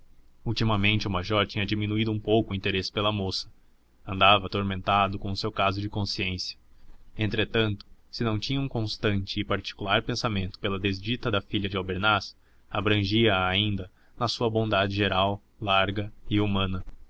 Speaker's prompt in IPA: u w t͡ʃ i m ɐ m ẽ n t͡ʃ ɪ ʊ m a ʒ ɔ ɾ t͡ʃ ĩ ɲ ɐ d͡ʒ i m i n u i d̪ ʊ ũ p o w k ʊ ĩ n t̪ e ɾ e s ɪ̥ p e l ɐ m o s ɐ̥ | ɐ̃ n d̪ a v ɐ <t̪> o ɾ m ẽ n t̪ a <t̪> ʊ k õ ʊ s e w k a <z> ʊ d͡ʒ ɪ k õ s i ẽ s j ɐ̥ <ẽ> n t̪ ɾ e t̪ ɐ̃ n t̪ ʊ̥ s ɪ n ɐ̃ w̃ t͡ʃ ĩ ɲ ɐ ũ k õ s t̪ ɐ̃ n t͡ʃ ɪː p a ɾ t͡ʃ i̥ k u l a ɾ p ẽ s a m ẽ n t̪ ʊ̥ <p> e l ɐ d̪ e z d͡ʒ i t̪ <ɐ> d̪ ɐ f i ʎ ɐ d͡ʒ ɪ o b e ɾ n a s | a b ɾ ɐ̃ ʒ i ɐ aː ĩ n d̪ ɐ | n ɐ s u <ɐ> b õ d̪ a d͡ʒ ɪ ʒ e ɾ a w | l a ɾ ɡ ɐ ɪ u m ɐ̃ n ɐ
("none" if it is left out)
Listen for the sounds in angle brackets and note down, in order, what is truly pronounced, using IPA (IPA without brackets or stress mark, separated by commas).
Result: t̪, d̪, z, ẽ, p, ɐ, ɐ